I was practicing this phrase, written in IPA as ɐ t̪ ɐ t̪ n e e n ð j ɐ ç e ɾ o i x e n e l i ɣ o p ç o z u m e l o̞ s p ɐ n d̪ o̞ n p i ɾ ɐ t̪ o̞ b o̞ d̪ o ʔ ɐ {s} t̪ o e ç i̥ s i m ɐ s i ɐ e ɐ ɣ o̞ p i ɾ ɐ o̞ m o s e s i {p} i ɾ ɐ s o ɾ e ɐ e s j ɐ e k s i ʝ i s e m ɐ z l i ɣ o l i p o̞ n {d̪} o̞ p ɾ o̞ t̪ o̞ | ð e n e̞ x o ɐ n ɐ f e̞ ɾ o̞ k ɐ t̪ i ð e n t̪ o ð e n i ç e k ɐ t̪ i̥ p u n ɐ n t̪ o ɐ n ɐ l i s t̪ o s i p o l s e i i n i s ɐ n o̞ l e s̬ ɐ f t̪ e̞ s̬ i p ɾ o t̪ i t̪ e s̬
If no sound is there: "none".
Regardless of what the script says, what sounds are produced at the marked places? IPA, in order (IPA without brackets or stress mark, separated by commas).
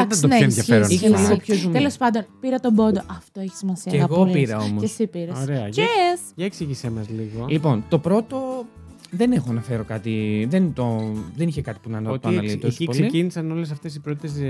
f, p, t̪